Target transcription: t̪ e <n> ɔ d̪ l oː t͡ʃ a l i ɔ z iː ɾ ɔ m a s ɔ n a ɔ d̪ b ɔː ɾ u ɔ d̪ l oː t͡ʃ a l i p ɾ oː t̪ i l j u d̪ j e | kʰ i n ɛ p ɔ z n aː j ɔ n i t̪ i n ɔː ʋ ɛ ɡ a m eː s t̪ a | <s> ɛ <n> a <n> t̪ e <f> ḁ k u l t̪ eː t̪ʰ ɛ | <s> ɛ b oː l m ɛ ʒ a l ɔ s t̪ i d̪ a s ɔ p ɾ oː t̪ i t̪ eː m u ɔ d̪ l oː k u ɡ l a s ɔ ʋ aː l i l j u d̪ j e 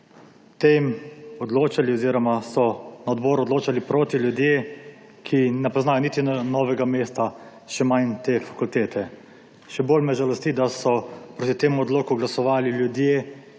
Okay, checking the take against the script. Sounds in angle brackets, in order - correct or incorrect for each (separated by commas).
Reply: incorrect, incorrect, incorrect, correct, correct, incorrect